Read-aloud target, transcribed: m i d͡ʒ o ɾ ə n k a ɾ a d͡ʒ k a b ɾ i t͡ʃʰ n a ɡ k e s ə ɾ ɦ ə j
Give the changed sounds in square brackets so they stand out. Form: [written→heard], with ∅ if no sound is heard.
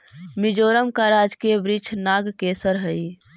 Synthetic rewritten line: m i d͡ʒ o ɾ ə [n→m] k a ɾ a d͡ʒ k [a→e] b ɾ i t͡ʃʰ n a ɡ k e s ə ɾ ɦ ə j

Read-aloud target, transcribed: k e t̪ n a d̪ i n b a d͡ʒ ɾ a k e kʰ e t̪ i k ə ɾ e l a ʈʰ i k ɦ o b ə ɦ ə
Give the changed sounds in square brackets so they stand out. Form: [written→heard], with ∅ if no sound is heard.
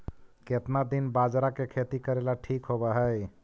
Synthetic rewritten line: k e t̪ n a d̪ i n b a d͡ʒ ɾ a k e kʰ e t̪ i k ə ɾ e l a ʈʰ i k ɦ o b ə ɦ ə

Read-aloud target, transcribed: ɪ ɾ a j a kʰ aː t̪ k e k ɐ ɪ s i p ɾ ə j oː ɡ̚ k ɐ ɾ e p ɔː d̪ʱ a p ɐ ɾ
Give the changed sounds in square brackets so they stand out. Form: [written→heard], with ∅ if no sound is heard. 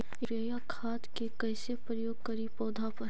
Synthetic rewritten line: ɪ ɾ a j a kʰ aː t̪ k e k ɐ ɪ s [i→e] p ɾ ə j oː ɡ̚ k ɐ ɾ [e→i] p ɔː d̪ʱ a p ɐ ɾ

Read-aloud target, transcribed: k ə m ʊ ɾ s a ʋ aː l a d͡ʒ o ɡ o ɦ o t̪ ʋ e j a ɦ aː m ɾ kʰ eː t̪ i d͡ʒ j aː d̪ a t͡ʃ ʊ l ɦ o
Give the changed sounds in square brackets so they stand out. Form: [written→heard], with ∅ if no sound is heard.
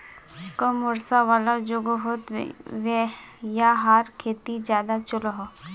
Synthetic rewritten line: k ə m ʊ ɾ s a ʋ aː l a d͡ʒ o ɡ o ɦ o t̪ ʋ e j a ɦ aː [m→∅] ɾ kʰ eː t̪ i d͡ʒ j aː d̪ a t͡ʃ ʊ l ɦ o

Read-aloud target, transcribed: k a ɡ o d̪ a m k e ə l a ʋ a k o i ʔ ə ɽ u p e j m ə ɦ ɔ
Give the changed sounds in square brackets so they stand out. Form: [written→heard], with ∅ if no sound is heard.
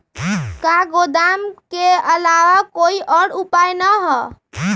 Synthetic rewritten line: k a ɡ o d̪ a m k e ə l a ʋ a k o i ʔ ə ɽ u p [e→a] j [m→n] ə ɦ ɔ

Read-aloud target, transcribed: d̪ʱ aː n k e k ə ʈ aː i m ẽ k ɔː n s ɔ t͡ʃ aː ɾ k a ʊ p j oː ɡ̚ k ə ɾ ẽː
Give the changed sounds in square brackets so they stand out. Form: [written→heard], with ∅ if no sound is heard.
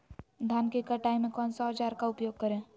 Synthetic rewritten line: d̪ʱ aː n k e k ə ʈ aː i m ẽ k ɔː n s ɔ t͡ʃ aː ɾ k a ʊ p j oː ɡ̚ k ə ɾ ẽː

